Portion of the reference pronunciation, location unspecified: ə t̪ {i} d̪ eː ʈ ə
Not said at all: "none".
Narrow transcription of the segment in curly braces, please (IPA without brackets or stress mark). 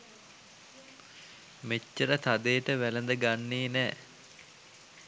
a